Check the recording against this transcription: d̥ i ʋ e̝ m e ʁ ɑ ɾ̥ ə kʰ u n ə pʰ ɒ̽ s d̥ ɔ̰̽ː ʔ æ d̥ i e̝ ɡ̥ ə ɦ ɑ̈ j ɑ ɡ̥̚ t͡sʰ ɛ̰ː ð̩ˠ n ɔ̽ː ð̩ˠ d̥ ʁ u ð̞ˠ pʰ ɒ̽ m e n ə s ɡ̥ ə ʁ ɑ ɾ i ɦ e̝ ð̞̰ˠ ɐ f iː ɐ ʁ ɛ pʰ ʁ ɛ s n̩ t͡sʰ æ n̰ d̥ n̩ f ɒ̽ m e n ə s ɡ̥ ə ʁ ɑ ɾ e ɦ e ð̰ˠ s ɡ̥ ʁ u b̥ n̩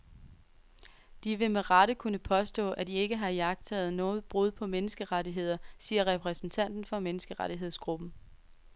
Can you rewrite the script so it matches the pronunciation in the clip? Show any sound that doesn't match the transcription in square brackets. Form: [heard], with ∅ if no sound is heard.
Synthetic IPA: d̥ i ʋ e̝ m e ʁ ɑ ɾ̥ ə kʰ u n ə pʰ ɒ̽ s d̥ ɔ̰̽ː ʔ æ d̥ i e̝ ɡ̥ ə ɦ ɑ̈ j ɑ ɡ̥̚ t͡sʰ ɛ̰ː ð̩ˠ n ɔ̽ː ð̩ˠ [b̥] ʁ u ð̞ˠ pʰ ɒ̽ m e n ə s ɡ̥ ə ʁ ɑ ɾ i ɦ e̝ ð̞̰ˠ ɐ [s] iː ɐ ʁ ɛ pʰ ʁ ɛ s n̩ t͡sʰ æ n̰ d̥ n̩ f ɒ̽ m e n ə s ɡ̥ ə ʁ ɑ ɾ [i] ɦ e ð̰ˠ s ɡ̥ ʁ u b̥ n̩

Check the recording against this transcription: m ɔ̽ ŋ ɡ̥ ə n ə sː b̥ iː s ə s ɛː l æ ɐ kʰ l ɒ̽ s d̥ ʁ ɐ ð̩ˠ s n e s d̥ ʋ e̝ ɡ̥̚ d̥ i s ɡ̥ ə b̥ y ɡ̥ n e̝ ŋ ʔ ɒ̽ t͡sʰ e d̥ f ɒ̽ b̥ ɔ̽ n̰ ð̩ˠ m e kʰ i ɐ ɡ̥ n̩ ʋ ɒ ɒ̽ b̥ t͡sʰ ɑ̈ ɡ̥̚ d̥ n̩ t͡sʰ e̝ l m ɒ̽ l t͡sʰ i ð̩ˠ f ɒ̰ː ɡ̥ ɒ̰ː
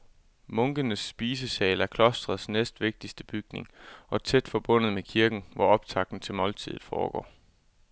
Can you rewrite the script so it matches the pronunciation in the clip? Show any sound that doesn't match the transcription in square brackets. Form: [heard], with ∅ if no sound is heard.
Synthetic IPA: m ɔ̽ ŋ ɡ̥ ə n ə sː b̥ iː s ə s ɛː l æ ɐ kʰ l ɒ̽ s d̥ ʁ ɐ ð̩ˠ s n e s d̥ ʋ e̝ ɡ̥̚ d̥ i s [d̥] ə b̥ y ɡ̥ n e̝ ŋ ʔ ɒ̽ t͡sʰ e d̥ f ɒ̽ b̥ ɔ̽ n̰ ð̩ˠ m e kʰ i ɐ ɡ̥ n̩ ʋ ɒ ɒ̽ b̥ t͡sʰ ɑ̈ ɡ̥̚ d̥ n̩ t͡sʰ e̝ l m ɒ̽ l t͡sʰ i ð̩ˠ f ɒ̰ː ɡ̥ ɒ̰ː

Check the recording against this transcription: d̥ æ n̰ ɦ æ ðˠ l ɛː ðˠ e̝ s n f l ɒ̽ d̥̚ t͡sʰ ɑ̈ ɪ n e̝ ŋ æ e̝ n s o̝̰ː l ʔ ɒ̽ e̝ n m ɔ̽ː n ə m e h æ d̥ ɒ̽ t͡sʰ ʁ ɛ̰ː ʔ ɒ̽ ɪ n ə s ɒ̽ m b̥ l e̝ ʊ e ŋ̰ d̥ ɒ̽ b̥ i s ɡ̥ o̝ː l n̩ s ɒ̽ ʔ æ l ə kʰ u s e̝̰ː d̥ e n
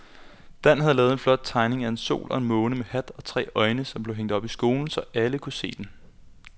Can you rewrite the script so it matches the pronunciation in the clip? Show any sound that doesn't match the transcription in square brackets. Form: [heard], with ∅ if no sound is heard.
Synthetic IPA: d̥ æ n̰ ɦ æ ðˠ l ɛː ðˠ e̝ [∅] n f l ɒ̽ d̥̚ t͡sʰ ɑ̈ ɪ n e̝ ŋ æ e̝ n s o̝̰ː l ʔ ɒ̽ e̝ n m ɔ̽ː n ə m e h æ d̥ ɒ̽ t͡sʰ ʁ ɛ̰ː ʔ ɒ̽ ɪ n ə s ɒ̽ m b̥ l e̝ ʊ e ŋ̰ d̥ ɒ̽ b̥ i s ɡ̥ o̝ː l n̩ s ɒ̽ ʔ æ l ə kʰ u s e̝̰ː d̥ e n

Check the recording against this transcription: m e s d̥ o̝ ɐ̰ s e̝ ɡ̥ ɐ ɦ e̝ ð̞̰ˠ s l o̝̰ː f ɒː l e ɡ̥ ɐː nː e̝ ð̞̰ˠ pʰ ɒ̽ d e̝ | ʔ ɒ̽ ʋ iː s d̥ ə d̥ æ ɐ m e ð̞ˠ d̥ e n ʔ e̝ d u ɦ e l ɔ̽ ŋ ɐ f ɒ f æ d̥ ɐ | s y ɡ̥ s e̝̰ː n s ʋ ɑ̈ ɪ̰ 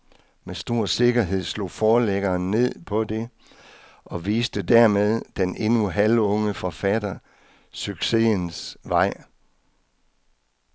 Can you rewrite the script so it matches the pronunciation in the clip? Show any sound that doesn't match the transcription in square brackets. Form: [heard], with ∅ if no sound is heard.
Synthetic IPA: m e s d̥ o̝ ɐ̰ s e̝ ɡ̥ ɐ ɦ e̝ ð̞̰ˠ s l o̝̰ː f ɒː l e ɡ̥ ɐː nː e̝ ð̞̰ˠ pʰ ɒ̽ d e̝ | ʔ ɒ̽ ʋ iː s d̥ ə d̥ æ ɐ m e ð̞ˠ d̥ e n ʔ e̝ [n] u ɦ [æ] l ɔ̽ ŋ [ə] f ɒ f æ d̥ ɐ | s y ɡ̥ s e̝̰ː n s ʋ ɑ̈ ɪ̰

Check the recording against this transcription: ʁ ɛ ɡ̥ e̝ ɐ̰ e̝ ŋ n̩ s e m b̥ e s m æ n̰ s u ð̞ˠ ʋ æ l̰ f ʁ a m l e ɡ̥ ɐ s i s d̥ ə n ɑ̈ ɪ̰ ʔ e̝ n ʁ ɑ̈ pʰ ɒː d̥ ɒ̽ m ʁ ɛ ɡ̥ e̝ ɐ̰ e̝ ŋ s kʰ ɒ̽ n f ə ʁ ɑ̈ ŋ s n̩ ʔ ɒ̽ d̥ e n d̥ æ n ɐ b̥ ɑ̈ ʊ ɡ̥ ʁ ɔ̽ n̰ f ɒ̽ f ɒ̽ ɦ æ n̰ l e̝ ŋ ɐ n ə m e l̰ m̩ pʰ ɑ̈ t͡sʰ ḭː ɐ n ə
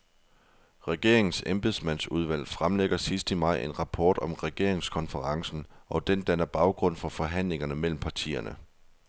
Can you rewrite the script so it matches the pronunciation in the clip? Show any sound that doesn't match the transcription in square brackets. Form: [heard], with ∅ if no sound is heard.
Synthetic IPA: ʁ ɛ ɡ̥ e̝ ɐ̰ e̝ ŋ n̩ s e m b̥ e s m æ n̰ s u ð̞ˠ ʋ æ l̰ f ʁ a m l e ɡ̥ ɐ s i s d̥ ə [m] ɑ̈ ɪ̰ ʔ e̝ n ʁ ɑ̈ pʰ ɒː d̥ ɒ̽ m ʁ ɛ ɡ̥ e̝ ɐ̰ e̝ ŋ s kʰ ɒ̽ n f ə ʁ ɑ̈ ŋ s n̩ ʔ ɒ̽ d̥ e n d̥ æ n ɐ b̥ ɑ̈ ʊ ɡ̥ ʁ ɔ̽ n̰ f ɒ̽ f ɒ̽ ɦ æ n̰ l e̝ ŋ ɐ n ə m e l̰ m̩ pʰ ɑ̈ t͡sʰ ḭː ɐ n ə

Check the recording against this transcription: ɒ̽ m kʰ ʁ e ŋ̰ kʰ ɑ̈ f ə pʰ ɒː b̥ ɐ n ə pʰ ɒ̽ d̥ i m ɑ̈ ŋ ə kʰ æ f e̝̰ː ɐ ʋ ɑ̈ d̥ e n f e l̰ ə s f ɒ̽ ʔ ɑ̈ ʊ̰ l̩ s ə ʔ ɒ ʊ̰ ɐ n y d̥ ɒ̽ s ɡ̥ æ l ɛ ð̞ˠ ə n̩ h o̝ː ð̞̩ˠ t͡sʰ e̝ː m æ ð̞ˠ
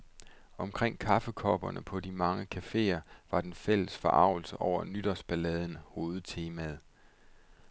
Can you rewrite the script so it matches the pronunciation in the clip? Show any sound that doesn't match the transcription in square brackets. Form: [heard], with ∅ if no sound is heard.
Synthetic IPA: ɒ̽ m kʰ ʁ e ŋ̰ kʰ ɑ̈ f ə [kʰ] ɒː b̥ ɐ n ə pʰ ɒ̽ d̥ i m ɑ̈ ŋ ə kʰ æ f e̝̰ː ɐ ʋ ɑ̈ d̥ e n f e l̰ ə s f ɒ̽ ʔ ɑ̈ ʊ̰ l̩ s ə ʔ ɒ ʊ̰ ɐ n y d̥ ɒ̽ s [b̥] æ l ɛ ð̞ˠ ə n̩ h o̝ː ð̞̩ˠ t͡sʰ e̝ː m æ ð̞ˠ

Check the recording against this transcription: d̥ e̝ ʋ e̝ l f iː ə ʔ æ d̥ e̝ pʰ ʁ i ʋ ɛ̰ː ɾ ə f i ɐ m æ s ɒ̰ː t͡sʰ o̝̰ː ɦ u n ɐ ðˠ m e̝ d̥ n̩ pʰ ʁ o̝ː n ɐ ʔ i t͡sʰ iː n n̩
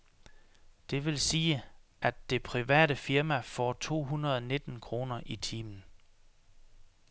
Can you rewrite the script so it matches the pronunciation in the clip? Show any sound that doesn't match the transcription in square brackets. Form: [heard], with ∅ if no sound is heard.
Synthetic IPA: d̥ e̝ ʋ e̝ l [s] iː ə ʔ æ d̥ e̝ pʰ ʁ i ʋ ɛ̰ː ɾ ə f i ɐ m æ [f] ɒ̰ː t͡sʰ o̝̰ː ɦ u n ɐ ðˠ [n] e̝ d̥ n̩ [kʰ] ʁ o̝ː n ɐ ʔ i t͡sʰ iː [m] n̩

